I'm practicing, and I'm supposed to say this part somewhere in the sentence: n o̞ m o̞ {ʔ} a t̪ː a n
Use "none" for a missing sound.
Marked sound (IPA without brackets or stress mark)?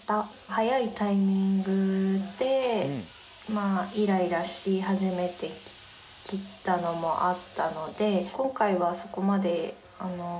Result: ʔ